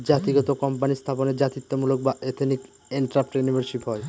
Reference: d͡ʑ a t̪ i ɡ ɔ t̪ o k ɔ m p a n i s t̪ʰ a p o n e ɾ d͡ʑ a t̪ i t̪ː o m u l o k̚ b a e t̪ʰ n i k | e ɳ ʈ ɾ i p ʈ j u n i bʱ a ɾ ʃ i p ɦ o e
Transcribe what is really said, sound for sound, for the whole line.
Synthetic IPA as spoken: d͡ʑ a t̪ i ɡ ɔ t̪ o k ɔ m p a n i s t̪ʰ a p o n e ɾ d͡ʑ a t̪ i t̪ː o m u l o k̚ b a e t̪ʰ n i k | e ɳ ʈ ɾ a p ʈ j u n i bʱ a ɾ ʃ i p ɦ ɔ e